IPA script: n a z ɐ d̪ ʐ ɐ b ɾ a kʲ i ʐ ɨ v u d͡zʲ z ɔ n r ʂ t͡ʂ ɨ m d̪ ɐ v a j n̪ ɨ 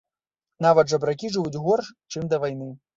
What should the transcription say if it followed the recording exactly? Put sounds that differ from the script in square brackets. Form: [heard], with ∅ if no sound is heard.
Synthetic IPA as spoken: n a [v] ɐ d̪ ʐ ɐ b ɾ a kʲ i ʐ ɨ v u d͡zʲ [ɣ] ɔ [∅] r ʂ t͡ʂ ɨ m d̪ ɐ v a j n̪ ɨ